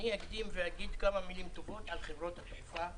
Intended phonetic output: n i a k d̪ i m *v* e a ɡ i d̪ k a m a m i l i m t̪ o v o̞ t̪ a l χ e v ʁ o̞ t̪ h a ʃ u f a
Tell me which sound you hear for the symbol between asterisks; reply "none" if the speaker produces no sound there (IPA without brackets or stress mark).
v